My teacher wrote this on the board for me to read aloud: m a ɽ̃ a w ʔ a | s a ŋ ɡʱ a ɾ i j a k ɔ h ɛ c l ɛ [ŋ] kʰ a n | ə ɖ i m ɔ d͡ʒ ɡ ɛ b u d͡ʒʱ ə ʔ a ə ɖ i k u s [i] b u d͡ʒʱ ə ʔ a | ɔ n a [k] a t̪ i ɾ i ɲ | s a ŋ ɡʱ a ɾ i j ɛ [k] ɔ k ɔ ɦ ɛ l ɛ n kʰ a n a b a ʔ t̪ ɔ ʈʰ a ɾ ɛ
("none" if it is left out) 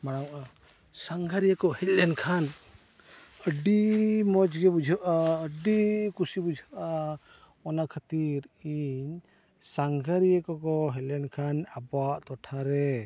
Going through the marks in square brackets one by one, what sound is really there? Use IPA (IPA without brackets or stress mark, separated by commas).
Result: n, i, kʰ, k